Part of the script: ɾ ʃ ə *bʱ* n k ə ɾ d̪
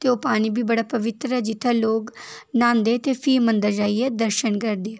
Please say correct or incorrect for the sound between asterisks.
incorrect